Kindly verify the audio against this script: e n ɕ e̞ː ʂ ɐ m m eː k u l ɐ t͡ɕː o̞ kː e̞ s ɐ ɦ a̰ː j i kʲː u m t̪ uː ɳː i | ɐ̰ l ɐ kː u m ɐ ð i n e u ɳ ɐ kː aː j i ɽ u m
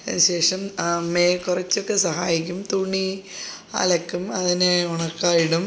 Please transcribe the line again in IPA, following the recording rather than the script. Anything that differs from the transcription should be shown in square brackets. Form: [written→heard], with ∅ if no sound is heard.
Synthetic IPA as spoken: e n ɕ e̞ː ʂ ɐ m m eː k u [l→r] ɐ t͡ɕː o̞ kː e̞ s ɐ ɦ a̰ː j i kʲː u m t̪ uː ɳː i | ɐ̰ l ɐ kː u m ɐ ð i n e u ɳ ɐ kː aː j i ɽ u m